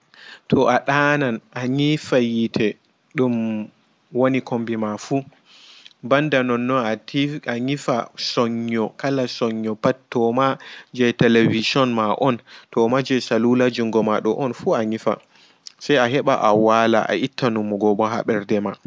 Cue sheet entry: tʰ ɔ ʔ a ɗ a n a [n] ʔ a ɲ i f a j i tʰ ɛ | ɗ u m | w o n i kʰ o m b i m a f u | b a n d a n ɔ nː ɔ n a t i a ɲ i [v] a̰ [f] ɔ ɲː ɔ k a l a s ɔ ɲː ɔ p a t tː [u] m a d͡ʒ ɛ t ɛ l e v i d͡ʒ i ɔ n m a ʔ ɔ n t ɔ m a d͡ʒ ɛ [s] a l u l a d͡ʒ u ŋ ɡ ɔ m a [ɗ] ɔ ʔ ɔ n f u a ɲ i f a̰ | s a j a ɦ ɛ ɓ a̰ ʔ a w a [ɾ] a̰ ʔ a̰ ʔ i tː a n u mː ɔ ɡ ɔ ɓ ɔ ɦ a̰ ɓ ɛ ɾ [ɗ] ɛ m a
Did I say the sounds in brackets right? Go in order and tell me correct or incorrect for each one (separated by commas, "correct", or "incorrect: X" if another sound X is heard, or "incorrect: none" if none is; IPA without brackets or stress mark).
correct, incorrect: f, incorrect: s, incorrect: ɔ, correct, correct, incorrect: l, incorrect: d